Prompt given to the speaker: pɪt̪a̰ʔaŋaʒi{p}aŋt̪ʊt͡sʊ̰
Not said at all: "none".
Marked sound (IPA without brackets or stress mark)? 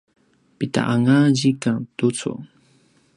k